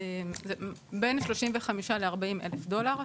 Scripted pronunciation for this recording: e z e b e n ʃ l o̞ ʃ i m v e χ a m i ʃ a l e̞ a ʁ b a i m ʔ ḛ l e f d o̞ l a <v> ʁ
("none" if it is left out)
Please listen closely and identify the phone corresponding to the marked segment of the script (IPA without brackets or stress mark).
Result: none